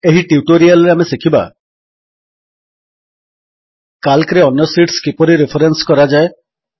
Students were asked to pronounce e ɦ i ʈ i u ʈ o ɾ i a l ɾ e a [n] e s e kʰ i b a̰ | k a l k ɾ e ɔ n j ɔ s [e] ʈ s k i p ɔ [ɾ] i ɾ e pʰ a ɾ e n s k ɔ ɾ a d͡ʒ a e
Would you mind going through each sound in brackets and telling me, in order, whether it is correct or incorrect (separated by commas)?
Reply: incorrect, incorrect, correct